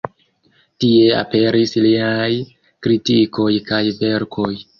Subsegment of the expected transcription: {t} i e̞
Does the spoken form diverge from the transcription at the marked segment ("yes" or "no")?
no